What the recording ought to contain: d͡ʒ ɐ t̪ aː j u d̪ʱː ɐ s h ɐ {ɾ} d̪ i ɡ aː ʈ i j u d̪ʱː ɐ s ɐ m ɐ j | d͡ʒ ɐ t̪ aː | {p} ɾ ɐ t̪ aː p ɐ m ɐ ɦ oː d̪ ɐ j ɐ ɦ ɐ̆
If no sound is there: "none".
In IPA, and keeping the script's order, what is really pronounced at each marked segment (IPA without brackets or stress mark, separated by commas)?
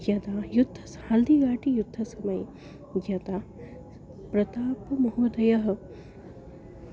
l, p